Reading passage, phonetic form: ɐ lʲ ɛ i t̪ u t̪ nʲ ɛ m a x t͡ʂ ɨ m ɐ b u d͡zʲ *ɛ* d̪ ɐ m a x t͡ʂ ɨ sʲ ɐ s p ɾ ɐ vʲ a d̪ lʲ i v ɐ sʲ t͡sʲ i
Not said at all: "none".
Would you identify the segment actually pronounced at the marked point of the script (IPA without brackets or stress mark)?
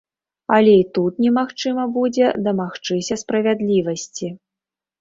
ɛ